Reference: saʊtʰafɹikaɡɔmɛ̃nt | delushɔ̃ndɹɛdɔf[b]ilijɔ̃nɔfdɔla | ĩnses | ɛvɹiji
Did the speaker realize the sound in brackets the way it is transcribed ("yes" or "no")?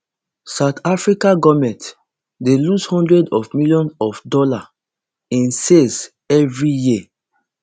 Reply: no